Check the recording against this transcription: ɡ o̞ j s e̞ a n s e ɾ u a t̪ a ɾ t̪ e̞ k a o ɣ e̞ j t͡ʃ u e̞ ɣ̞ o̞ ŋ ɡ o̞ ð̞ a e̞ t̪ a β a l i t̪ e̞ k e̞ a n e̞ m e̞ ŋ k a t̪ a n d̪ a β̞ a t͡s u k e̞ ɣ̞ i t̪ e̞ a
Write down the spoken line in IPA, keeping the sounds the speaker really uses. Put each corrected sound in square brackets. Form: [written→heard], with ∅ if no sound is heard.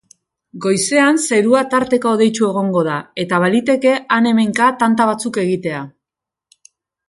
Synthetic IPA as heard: ɡ o̞ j s e̞ a n s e ɾ u a t̪ a ɾ t̪ e̞ k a o [ɣ→ð] e̞ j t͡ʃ u e̞ ɣ̞ o̞ ŋ ɡ o̞ ð̞ a e̞ t̪ a β a l i t̪ e̞ k e̞ a n e̞ m e̞ ŋ k a t̪ a n [d̪→t̪] a β̞ a t͡s u k e̞ ɣ̞ i t̪ e̞ a